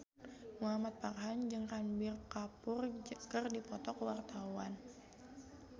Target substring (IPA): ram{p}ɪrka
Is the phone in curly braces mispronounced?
yes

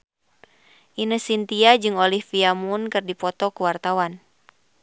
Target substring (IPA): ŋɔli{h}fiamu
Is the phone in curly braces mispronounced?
no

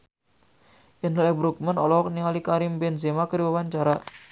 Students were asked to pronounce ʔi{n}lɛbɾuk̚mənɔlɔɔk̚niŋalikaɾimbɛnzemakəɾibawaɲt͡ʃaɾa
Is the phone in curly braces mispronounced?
no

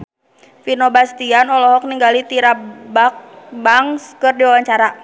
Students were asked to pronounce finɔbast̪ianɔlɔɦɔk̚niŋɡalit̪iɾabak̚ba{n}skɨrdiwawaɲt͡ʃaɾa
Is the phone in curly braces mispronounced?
yes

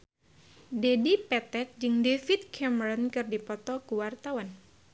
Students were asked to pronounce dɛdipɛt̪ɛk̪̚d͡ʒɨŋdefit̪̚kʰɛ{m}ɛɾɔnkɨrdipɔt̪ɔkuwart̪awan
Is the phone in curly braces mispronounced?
no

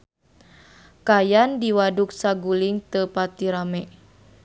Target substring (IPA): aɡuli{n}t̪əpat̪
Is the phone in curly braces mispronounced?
yes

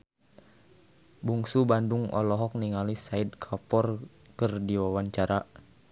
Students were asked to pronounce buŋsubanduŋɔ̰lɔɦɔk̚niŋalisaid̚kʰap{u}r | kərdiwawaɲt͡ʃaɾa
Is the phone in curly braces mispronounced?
yes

